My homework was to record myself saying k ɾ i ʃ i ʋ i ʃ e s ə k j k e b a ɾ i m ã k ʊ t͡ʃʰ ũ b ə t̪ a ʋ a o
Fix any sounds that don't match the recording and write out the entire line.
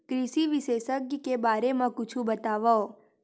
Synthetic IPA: k ɾ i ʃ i ʋ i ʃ e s ə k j k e b a ɾ e m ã k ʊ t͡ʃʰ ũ b ə t̪ a ʋ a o